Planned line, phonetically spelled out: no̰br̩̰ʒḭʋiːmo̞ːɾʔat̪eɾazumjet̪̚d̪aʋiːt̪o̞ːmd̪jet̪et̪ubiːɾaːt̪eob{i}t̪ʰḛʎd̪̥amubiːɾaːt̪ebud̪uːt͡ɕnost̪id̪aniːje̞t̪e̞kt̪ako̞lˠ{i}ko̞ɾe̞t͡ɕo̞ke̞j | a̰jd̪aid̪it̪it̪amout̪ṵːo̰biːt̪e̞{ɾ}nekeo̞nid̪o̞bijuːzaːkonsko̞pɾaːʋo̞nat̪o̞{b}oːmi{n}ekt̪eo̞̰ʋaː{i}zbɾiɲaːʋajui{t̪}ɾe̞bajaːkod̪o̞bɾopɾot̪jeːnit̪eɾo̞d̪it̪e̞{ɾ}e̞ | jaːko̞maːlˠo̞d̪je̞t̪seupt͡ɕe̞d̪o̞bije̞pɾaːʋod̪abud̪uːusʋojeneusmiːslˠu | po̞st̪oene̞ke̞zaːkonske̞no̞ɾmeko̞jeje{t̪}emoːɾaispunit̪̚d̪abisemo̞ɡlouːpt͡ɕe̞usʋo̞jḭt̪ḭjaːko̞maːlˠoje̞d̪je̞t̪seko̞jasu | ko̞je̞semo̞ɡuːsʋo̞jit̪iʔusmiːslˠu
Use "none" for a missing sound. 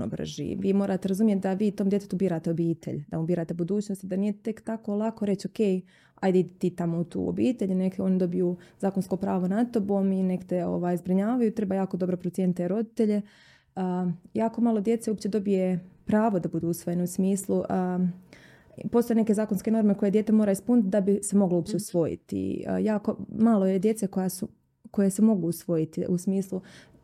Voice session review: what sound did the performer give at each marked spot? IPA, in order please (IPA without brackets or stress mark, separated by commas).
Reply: iː, a, ʎ, b, n, j, t̪, ʎ, t̪